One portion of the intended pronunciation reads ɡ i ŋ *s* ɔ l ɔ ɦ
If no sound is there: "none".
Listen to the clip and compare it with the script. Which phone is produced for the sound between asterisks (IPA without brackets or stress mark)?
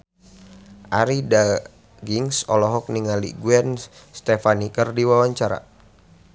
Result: s